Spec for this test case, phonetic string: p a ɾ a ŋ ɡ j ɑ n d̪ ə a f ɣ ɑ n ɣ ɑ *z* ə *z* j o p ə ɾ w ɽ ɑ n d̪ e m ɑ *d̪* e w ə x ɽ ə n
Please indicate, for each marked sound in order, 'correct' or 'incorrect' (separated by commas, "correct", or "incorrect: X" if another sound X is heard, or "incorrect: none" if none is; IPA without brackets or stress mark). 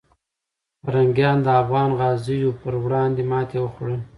correct, incorrect: none, incorrect: t̪